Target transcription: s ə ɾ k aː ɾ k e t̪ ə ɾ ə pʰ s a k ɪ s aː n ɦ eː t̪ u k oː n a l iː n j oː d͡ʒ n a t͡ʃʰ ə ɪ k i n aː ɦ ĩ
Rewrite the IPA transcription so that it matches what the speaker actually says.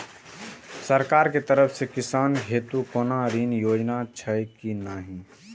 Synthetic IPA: s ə ɾ k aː ɾ k e t̪ ə ɾ ə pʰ s e k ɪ s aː n ɦ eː t̪ u k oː n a ɾ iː n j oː d͡ʒ n a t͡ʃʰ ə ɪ k i n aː ɦ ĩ